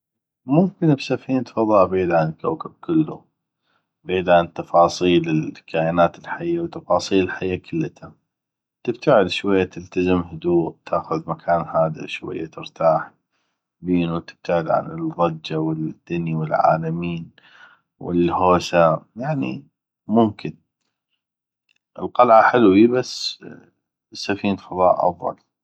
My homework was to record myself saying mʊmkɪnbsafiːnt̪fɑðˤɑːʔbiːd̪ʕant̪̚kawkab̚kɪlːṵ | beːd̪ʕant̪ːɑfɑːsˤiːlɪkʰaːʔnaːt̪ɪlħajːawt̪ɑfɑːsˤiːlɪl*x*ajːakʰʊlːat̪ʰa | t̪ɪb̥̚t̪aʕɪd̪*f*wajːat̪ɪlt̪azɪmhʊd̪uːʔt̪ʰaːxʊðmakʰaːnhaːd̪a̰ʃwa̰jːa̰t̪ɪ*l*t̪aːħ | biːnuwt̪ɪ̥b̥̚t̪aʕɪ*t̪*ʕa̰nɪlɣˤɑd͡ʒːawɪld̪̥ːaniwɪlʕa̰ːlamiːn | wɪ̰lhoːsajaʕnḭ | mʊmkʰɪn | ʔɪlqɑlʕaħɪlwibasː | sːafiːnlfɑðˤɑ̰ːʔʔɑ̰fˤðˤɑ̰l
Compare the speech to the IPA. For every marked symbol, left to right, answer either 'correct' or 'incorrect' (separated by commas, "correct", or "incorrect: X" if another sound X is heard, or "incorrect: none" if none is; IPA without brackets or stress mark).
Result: incorrect: ħ, incorrect: ʃ, incorrect: ɾ, incorrect: d̪